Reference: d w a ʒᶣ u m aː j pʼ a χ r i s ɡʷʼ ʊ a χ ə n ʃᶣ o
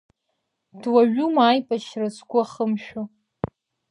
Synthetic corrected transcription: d w a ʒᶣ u m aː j pʼ a ʃ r a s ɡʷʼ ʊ a χ ə m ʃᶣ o

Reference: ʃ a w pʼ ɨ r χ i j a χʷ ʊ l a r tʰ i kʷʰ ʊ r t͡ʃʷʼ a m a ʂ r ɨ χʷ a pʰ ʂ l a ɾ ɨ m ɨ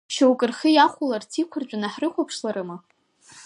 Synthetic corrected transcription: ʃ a w kʼ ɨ r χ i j a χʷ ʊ l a r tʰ i kʷʰ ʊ r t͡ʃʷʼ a n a ħ r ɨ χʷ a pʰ ʂ l a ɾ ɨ m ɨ

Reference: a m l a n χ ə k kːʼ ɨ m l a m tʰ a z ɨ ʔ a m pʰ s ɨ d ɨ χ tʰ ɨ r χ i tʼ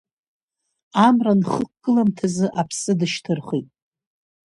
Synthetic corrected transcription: a m r a n χ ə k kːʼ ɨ l a m tʰ a z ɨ ʔ a pʰ s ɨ d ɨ ʃ tʰ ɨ r χ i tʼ

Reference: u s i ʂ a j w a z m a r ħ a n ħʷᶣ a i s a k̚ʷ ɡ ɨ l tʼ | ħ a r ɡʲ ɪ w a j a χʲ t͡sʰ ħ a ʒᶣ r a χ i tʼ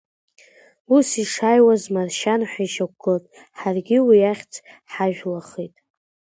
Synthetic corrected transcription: u s i ʂ a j w a z m a r ʃ a n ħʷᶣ a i ʃ a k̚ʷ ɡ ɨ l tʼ | ħ a r ɡʲ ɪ w i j a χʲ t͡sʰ ħ a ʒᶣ l a χ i tʼ

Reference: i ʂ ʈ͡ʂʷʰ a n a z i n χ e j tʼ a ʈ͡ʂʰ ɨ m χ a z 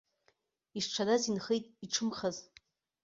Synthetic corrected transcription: i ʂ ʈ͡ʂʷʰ a d a z i n χ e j tʼ i ʈ͡ʂʰ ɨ m χ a z

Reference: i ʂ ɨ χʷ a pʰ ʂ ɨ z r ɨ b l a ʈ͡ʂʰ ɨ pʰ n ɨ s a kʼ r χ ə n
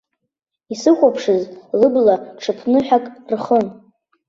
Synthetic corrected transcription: i s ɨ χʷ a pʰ ʂ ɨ z l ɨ b l a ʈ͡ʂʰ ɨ pʰ n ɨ ħ a kʼ r χ ə n

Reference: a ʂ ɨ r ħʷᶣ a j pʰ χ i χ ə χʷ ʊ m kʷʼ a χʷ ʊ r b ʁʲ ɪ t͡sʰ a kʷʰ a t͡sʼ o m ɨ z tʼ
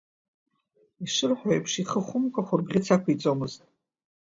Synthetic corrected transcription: i ʂ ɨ r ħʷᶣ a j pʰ ʂ i χ ə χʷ ʊ m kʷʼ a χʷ ʊ r b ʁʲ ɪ t͡sʰ a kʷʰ i t͡sʼ o m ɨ z tʼ

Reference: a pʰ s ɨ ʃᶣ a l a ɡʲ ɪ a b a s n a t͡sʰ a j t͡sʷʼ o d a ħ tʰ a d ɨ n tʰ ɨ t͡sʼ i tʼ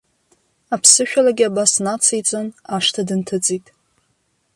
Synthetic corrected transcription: a pʰ s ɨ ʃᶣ a l a ɡʲ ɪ a b a s n a t͡sʰ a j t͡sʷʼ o n a ʂ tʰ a d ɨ n tʰ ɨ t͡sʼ i tʼ

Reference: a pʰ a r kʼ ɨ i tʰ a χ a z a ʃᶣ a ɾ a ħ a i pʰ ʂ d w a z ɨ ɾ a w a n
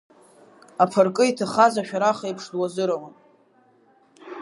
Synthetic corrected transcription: a pʰ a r kʼ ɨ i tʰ a χ a z a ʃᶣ a ɾ a χ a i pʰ ʂ d w a z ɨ ɾ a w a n

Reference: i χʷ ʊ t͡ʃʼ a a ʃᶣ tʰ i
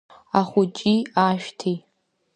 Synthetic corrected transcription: a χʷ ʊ t͡ʃʼ i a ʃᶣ tʰ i

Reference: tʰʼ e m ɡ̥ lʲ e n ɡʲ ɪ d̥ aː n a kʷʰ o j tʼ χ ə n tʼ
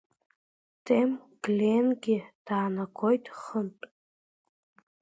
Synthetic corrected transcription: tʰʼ e m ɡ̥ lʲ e n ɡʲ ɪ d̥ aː n a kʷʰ o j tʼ χ ə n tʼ

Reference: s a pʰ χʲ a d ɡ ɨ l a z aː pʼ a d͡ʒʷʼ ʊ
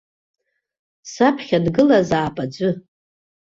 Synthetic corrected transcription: s a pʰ χʲ a d ɡ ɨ l a z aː pʼ a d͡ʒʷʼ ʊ

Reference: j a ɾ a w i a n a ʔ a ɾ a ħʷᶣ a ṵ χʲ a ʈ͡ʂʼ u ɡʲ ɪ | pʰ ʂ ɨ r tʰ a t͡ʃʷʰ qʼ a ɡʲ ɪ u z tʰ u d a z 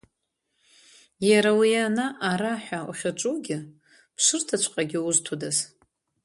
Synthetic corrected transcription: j a ɾ a w i a n a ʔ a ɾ a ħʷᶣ a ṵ χʲ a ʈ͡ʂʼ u ɡʲ ɪ | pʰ ʂ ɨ r tʰ a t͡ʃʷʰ qʼ a ɡʲ ɪ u z tʰ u d a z

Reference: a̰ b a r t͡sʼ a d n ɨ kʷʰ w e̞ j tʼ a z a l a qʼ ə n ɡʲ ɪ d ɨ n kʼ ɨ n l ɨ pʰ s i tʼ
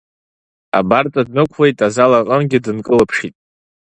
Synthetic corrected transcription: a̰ b a r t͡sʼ a d n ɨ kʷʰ w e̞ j tʼ a z a l a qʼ ə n ɡʲ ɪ d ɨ n kʼ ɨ l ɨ pʰ ʂ i tʼ

